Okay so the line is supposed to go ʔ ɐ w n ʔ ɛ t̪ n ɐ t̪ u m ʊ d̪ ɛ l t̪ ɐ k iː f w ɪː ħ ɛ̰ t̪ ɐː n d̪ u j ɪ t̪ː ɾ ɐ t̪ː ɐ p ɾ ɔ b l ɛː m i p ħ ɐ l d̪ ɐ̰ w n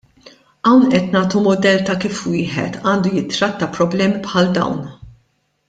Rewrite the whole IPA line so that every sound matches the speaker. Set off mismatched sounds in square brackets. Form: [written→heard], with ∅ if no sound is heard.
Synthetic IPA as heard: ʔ ɐ w n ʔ ɛ t̪ n [ɐ→ɐː] t̪ u m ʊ d̪ ɛ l t̪ ɐ k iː f w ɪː ħ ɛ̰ t̪ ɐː n d̪ u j ɪ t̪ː ɾ ɐ t̪ː ɐ p ɾ ɔ b l ɛː m i p ħ ɐ l d̪ ɐ̰ w n

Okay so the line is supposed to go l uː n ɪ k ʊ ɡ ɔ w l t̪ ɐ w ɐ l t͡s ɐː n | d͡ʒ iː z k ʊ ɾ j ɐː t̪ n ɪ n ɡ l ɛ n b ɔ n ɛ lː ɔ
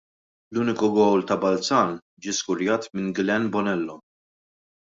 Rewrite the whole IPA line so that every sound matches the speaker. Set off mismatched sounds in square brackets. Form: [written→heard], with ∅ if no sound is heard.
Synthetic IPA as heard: l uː n ɪ k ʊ ɡ ɔ w l t̪ ɐ [w→b] ɐ l t͡s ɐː n | d͡ʒ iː [z→s] k ʊ ɾ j ɐː t̪ [n→m] ɪ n ɡ l ɛ n b ɔ n ɛ lː ɔ

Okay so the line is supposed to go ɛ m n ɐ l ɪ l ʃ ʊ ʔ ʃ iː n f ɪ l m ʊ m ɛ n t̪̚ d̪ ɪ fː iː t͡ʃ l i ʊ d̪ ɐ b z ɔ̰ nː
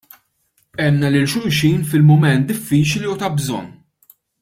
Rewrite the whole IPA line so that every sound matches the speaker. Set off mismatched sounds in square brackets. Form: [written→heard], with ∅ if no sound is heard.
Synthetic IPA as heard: ɛ m n ɐ l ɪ l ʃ ʊ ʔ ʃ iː n f ɪ l m ʊ m ɛ n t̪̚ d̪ ɪ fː iː t͡ʃ l i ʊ [d̪→t̪] ɐ b z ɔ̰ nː

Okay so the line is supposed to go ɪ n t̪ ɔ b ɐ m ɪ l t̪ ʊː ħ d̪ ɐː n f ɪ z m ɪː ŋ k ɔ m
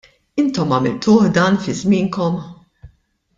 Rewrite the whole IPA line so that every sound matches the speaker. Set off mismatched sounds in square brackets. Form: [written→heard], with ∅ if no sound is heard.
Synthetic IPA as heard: ɪ n t̪ ɔ [b→m] ɐ m ɪ l t̪ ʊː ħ d̪ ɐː n f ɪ z m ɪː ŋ k ɔ m

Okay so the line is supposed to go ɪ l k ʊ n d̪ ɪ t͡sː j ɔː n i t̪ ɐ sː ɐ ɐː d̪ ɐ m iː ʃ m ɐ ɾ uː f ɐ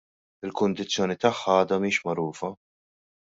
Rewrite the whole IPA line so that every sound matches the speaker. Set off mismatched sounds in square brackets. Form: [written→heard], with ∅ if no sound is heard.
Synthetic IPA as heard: ɪ l k ʊ n d̪ ɪ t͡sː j ɔː n i t̪ ɐ [sː→ħː] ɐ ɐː d̪ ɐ m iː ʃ m ɐ ɾ uː f ɐ

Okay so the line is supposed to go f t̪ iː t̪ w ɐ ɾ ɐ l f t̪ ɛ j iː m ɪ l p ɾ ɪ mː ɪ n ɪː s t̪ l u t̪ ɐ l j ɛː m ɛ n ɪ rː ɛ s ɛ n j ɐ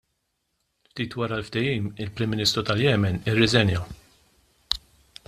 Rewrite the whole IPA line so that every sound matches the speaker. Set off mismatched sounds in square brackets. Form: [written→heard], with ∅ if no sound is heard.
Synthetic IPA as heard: f t̪ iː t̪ w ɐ ɾ ɐ l f t̪ ɛ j iː m ɪ l p ɾ ɪ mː ɪ n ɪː s t̪ [l→ɾ] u t̪ ɐ l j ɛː m ɛ n ɪ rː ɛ [s→z] ɛ n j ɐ

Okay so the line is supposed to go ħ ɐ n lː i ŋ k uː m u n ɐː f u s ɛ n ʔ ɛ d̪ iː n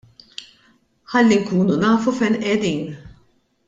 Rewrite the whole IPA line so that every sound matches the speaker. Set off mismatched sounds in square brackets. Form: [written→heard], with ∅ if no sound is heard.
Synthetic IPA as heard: ħ ɐ [n→∅] lː i ŋ k uː [m→n] u n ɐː f u [s→f] ɛ n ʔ ɛ d̪ iː n

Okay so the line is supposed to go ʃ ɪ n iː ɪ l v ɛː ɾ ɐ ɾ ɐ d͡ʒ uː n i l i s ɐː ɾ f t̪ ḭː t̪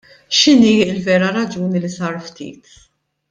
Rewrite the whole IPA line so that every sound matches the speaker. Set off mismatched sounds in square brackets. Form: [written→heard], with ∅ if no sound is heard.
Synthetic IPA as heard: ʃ ɪ n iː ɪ l v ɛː ɾ ɐ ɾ ɐ d͡ʒ uː n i l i s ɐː ɾ f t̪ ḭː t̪

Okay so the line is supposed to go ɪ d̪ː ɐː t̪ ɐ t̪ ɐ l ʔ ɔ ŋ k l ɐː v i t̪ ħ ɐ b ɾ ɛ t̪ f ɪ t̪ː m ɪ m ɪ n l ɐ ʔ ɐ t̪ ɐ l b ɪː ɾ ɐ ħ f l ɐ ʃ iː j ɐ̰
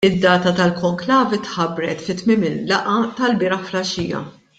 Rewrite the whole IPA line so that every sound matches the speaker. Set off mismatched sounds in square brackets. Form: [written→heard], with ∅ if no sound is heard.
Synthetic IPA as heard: ɪ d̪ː ɐː t̪ ɐ t̪ ɐ l [ʔ→k] ɔ ŋ k l ɐː v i t̪ ħ ɐ b ɾ ɛ t̪ f ɪ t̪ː m ɪ m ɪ n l ɐ ʔ ɐ t̪ ɐ l b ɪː ɾ ɐ ħ f l ɐ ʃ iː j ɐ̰

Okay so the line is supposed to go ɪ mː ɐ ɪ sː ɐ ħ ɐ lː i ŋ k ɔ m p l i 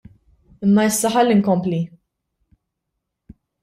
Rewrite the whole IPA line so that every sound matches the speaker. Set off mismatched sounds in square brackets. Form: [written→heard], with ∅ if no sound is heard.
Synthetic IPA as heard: ɪ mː ɐ ɪ sː ɐ ħ ɐ lː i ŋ k ɔ m p l i

